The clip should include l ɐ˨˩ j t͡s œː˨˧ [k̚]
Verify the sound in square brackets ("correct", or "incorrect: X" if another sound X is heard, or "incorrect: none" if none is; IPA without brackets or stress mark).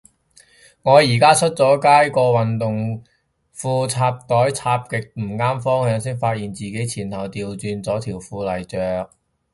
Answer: correct